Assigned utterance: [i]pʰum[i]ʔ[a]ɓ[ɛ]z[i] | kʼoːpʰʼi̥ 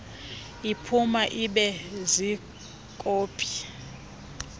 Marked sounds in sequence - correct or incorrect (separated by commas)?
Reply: correct, incorrect, incorrect, correct, correct